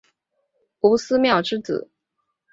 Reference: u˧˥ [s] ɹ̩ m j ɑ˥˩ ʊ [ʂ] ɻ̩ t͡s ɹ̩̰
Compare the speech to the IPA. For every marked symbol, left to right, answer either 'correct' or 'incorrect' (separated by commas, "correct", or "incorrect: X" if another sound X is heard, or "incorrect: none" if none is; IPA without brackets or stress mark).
correct, incorrect: ʈ͡ʂ